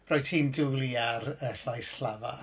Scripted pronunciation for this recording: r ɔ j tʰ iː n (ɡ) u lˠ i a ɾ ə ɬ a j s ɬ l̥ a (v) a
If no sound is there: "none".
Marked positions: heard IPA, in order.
d, v

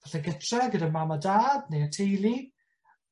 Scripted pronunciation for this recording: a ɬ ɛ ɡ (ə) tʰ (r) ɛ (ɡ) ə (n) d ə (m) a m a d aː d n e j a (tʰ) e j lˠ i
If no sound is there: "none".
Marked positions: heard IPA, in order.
ə, r, ɡ, none, m, tʰ

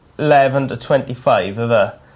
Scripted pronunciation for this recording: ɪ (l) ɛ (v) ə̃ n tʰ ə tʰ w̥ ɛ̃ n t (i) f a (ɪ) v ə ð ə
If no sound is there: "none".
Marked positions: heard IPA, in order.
l, v, i, ɪ

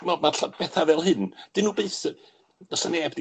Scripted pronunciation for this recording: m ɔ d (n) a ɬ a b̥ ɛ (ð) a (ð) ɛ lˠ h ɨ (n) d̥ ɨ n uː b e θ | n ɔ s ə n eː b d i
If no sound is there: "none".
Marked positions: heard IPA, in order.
m, θ, v, n

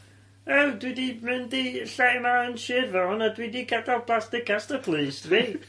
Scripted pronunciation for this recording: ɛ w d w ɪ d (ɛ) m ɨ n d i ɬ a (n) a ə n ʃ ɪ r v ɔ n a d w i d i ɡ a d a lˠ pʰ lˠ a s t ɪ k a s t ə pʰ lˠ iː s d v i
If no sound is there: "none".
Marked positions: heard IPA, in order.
i, m

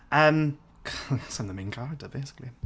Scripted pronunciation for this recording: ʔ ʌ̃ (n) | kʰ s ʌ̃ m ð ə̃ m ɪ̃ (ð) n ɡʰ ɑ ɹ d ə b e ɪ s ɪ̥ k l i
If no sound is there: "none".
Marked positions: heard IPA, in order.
m, none

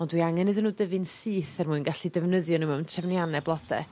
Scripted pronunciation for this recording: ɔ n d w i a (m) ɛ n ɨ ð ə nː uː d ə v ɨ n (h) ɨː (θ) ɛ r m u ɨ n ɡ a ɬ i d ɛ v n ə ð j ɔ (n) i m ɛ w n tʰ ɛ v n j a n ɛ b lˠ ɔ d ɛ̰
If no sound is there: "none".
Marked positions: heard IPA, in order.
ŋ, s, θ, n

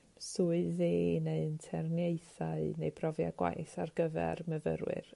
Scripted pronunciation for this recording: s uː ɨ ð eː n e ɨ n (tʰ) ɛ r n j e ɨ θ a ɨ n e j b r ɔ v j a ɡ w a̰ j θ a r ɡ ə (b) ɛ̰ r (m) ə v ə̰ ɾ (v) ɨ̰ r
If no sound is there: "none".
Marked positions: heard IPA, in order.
tʰ, v, m, w

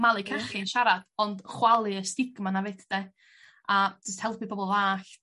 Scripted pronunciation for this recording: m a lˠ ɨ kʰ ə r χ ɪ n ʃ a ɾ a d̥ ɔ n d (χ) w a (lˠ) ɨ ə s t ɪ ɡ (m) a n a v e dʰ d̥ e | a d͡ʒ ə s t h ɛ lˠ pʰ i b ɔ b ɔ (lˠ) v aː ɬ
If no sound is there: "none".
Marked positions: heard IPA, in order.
χ, lˠ, m, lˠ

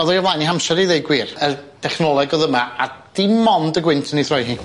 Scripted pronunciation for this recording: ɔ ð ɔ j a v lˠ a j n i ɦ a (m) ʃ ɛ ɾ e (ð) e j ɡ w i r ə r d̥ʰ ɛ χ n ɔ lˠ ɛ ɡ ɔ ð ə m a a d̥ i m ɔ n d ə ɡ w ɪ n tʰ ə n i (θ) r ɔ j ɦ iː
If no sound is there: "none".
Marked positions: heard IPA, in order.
m, ð, θ

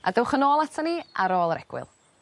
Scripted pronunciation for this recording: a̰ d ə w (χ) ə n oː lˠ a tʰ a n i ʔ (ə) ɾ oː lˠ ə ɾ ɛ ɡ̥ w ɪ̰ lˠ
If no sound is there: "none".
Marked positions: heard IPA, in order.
χ, a

